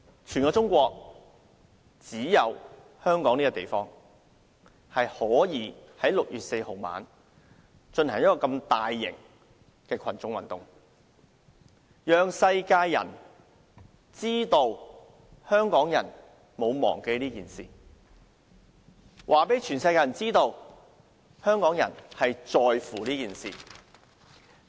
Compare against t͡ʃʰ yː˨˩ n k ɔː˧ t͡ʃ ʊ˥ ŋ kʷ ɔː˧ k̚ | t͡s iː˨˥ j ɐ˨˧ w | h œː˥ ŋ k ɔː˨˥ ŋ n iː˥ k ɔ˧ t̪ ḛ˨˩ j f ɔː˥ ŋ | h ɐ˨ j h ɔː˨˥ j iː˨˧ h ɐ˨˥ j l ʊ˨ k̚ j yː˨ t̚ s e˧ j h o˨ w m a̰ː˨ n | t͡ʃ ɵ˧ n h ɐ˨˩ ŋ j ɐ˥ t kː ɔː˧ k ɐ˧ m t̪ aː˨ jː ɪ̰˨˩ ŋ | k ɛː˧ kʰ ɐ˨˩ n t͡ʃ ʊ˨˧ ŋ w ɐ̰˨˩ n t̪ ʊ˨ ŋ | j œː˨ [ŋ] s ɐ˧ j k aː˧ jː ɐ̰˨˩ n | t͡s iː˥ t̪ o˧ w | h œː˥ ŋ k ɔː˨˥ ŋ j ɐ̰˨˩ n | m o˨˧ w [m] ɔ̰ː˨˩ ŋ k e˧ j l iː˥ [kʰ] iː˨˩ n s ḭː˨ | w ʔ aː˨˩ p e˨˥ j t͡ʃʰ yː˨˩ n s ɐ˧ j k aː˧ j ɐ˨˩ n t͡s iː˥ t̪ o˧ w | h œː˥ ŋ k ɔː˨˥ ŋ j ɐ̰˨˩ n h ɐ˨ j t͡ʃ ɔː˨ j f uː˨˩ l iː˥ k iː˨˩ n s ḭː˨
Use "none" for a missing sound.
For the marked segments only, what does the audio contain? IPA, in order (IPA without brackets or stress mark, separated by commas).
ŋ, m, k